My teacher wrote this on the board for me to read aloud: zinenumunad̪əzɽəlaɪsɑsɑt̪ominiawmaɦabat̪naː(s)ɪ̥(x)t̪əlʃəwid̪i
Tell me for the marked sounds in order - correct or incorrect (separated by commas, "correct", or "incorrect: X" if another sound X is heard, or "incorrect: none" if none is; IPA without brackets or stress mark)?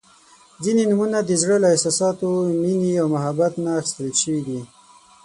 incorrect: x, incorrect: s